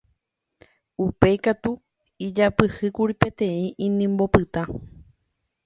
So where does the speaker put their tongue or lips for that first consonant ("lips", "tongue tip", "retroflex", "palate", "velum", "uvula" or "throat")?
lips